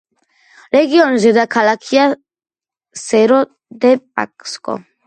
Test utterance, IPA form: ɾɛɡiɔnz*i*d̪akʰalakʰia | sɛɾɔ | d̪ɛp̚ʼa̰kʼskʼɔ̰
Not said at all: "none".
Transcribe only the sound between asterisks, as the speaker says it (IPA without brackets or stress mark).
ɛ